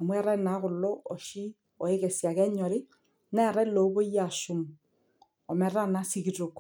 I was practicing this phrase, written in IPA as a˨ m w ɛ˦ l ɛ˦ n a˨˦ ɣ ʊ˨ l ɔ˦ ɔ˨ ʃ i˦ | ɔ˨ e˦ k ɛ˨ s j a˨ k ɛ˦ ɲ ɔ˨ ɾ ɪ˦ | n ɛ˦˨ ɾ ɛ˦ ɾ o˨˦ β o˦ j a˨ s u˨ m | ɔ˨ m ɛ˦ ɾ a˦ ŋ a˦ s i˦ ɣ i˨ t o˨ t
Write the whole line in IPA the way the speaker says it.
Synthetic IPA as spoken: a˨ m w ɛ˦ ɾ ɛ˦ n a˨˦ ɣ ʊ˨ l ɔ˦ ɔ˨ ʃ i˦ | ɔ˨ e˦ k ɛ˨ s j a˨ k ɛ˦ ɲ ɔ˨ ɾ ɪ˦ | n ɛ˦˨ ɾ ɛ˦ l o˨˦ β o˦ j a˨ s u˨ m | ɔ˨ m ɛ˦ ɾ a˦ n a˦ s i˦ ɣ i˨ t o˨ k